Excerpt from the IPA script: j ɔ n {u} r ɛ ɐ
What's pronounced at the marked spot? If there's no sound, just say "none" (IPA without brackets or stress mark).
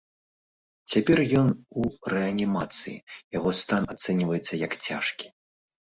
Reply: u